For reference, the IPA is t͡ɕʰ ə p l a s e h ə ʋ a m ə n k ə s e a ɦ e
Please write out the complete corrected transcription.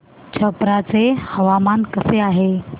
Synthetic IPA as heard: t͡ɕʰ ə p ɾ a t͡s e h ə ʋ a m a n k ə s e a ɦ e